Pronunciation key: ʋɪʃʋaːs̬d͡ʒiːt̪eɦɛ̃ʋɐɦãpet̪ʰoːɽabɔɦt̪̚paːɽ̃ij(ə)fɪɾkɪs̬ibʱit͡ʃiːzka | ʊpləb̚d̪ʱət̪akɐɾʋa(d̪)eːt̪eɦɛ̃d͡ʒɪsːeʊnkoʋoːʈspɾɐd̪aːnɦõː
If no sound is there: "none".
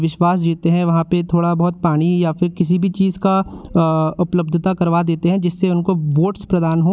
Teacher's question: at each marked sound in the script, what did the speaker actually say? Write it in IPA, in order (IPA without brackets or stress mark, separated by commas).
a, d̪